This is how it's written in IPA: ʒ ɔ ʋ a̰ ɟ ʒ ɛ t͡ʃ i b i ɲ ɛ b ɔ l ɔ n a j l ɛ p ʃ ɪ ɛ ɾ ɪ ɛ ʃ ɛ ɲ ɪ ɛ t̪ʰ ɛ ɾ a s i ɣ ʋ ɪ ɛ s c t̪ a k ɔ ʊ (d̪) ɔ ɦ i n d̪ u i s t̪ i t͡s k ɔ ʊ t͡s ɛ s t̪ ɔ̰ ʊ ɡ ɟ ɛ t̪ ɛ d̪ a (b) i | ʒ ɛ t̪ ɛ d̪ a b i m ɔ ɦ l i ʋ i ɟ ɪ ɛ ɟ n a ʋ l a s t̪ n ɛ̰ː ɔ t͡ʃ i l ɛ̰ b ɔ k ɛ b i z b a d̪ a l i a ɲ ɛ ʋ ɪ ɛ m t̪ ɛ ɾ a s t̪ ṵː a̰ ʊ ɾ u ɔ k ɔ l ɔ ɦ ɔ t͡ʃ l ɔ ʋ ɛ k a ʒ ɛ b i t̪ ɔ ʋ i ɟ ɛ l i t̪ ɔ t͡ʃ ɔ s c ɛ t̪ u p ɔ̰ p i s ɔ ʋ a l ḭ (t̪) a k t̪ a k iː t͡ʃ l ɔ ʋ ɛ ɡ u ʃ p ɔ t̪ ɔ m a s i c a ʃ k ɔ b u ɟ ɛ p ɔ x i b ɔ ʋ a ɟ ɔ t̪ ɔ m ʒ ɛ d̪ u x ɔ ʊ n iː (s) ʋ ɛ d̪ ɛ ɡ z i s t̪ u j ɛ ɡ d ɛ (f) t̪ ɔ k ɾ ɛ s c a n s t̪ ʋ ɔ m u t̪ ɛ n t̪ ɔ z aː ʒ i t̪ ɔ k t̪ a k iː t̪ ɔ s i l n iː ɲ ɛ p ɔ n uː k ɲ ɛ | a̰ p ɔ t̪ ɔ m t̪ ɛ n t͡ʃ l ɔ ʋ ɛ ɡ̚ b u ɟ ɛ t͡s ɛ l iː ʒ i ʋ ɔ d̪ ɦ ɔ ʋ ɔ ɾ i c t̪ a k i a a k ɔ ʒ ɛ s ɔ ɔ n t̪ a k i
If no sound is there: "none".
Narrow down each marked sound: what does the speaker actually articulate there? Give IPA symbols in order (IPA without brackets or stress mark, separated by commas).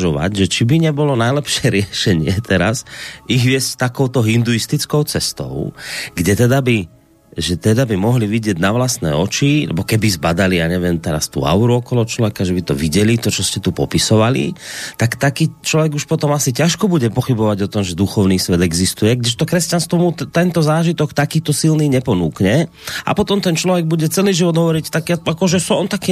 t̪, b, t̪, s, ʃ